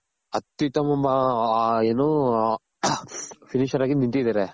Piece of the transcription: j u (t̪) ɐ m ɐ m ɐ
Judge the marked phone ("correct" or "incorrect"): correct